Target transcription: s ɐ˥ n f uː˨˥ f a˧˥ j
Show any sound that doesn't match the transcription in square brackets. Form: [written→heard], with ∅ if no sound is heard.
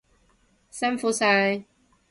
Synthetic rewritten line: s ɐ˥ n f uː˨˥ [f→s] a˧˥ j